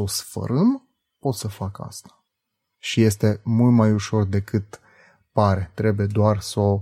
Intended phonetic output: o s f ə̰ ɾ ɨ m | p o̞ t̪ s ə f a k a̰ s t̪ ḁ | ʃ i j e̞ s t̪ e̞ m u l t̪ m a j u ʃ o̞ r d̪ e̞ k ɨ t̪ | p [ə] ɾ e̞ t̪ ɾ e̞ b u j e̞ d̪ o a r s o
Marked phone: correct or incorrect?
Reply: incorrect